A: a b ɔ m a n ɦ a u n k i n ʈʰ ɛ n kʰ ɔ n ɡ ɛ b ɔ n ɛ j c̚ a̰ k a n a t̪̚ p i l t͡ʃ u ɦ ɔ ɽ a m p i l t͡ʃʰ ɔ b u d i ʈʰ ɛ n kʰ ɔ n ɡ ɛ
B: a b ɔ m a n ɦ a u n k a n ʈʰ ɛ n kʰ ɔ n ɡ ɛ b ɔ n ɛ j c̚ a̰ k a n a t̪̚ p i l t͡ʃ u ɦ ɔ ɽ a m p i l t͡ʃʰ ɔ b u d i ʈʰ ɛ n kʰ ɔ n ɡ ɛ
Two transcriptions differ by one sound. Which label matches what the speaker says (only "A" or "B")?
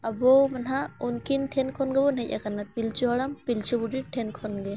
A